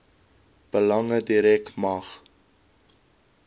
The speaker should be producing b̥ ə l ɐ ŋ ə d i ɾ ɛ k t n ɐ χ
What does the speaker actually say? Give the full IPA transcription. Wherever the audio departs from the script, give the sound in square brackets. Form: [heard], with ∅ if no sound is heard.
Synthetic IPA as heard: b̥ ə l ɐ ŋ ə d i ɾ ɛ k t [m] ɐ χ